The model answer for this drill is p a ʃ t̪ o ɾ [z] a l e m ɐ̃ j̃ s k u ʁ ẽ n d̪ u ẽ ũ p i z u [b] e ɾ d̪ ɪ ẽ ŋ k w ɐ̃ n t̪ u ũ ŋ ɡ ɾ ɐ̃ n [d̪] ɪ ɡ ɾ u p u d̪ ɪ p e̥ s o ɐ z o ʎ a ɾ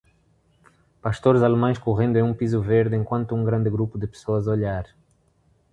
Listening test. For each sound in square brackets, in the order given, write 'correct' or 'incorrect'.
correct, incorrect: v, correct

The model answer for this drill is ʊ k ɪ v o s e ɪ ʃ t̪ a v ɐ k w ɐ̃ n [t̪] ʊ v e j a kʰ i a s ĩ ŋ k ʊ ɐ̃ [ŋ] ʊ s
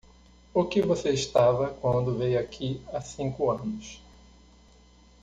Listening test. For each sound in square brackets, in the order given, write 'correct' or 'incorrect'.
incorrect: d̪, incorrect: n

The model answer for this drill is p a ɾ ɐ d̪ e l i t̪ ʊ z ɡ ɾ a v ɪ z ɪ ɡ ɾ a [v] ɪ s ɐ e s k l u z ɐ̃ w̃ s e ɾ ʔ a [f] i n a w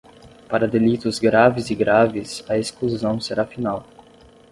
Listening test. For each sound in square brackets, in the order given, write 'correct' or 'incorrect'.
correct, correct

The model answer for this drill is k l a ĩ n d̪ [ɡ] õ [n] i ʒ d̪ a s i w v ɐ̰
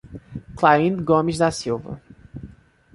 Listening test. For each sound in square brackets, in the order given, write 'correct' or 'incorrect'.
correct, incorrect: m

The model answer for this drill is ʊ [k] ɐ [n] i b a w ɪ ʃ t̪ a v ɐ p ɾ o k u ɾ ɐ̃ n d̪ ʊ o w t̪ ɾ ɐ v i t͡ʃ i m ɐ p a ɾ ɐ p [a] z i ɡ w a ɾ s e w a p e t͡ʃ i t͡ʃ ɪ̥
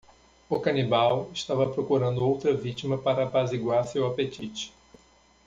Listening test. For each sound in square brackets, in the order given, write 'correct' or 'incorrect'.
correct, correct, correct

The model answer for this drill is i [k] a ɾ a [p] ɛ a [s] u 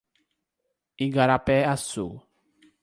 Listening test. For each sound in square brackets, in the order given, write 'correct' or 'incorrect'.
incorrect: ɡ, correct, correct

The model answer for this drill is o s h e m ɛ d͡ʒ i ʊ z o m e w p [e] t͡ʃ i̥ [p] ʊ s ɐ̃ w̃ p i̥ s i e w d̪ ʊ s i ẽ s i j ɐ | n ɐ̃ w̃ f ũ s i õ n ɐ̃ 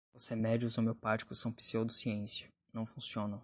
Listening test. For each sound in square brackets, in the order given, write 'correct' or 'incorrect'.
incorrect: a, incorrect: k

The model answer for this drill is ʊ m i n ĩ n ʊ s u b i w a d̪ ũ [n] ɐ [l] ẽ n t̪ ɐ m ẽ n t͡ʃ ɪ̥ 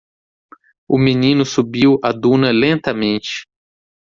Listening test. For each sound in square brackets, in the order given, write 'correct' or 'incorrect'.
correct, correct

